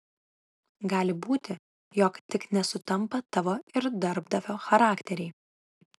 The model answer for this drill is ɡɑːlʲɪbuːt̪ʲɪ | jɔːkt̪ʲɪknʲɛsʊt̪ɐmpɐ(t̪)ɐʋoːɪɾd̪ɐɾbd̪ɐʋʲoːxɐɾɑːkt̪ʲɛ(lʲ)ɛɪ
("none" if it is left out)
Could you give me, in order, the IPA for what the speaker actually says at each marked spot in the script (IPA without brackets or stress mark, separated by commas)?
t̪, ɾʲ